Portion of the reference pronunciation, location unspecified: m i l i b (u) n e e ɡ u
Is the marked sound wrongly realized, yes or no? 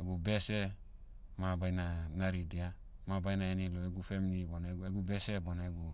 yes